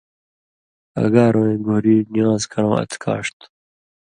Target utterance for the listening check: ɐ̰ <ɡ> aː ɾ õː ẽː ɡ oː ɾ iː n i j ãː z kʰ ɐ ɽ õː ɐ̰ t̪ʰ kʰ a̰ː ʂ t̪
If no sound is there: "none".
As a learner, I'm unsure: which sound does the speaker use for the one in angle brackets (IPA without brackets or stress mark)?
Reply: ɡ